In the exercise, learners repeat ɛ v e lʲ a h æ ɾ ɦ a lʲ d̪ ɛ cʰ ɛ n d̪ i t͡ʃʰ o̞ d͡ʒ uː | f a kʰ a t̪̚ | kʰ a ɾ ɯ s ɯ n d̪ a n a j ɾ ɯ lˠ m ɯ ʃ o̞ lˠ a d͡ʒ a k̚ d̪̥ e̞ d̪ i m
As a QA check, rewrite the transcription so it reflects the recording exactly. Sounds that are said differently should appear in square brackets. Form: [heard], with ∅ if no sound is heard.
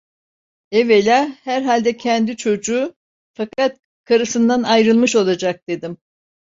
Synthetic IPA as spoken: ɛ v e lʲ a h æ ɾ ɦ a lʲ d̪ ɛ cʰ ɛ n d̪ i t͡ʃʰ o̞ d͡ʒ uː | f a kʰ a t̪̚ | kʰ a ɾ ɯ s ɯ n d̪ a n a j ɾ ɯ lˠ m ɯ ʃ o̞ lˠ a d͡ʒ a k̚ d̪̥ e̞ d̪ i m